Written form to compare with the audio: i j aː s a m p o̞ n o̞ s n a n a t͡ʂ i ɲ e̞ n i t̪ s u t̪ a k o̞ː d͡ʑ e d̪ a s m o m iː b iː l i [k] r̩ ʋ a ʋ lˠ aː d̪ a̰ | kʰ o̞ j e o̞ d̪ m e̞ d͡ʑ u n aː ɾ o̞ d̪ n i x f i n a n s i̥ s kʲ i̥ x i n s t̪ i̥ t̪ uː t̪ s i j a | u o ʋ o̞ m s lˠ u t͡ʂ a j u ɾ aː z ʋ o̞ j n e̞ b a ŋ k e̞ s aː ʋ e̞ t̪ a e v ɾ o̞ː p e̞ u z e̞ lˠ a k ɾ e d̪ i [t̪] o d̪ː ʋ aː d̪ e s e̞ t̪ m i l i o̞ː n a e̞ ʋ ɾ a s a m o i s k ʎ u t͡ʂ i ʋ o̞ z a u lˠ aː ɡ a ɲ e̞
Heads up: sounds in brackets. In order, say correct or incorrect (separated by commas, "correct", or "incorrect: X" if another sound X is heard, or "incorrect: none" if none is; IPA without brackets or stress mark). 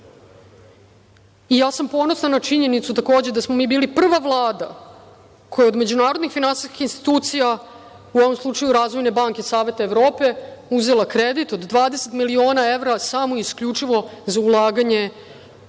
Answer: incorrect: p, correct